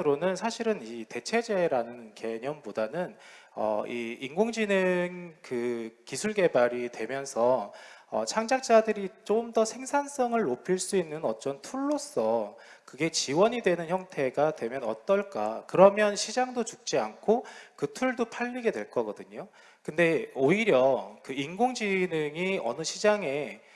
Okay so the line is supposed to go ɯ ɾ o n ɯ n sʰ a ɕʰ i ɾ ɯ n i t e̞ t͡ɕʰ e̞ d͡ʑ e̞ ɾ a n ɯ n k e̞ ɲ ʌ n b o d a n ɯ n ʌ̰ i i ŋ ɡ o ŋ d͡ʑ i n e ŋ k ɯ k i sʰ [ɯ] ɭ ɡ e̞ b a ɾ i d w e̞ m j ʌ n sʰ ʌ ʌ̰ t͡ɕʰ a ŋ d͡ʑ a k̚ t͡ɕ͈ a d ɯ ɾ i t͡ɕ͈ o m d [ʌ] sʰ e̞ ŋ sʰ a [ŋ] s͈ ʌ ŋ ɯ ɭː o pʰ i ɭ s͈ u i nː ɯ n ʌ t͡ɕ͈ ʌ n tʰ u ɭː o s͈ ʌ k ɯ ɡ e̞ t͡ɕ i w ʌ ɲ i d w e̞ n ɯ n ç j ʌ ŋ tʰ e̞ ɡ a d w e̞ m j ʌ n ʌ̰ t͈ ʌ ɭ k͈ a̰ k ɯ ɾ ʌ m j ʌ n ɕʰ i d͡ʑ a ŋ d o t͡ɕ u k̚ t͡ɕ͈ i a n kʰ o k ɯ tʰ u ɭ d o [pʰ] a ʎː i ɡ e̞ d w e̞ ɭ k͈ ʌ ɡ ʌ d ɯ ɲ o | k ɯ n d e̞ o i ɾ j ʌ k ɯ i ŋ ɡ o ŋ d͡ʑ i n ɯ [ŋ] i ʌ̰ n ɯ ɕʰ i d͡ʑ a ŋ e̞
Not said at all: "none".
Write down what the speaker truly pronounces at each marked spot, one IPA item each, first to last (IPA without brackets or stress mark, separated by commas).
u, ʌ, n, pʰ, ŋ